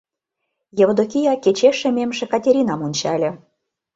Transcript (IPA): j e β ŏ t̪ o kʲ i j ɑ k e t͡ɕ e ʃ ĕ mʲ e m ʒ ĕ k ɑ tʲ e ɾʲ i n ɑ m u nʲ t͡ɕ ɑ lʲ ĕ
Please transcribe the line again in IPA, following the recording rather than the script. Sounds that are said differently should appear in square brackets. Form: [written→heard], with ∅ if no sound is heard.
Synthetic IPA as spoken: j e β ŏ [t̪→d̪] o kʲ i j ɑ k e t͡ɕ e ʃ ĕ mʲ e m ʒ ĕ k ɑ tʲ e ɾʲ i n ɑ m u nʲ t͡ɕ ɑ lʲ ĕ